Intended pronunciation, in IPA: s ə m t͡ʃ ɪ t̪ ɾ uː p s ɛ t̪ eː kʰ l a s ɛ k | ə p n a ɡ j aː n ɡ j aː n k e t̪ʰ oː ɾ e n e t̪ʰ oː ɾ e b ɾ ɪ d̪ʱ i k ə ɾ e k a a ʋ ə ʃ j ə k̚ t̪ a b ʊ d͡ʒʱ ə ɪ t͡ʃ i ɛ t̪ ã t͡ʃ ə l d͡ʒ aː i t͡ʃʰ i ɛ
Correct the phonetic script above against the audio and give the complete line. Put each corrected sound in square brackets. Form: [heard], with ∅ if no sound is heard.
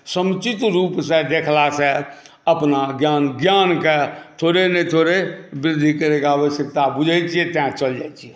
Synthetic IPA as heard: s ə m t͡ʃ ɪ t̪ ɾ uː p s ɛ [d̪] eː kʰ l a s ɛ [∅] | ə p n a ɡ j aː n ɡ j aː n k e t̪ʰ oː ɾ e n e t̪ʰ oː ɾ e b ɾ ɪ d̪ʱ i k ə ɾ e k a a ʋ ə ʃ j ə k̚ t̪ a b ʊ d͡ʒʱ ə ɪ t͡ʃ i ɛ t̪ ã t͡ʃ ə l d͡ʒ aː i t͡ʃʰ i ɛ